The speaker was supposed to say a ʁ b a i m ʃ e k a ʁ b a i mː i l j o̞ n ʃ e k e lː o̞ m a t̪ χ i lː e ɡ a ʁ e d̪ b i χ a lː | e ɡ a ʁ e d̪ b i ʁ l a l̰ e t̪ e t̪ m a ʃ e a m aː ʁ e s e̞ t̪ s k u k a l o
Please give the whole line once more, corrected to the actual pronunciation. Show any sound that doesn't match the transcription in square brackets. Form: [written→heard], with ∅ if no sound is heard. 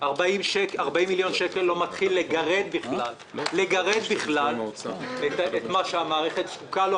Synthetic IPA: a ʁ b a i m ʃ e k a ʁ b a i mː i l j o̞ n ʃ e k e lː o̞ m a t̪ χ i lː e ɡ a ʁ e d̪ b i χ a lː | e ɡ a ʁ e d̪ b i [ʁ→χ] l a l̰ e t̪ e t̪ m a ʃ e a m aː ʁ e [s→χ] e̞ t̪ s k u k a l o